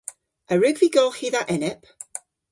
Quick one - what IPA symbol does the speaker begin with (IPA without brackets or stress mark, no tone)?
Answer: ə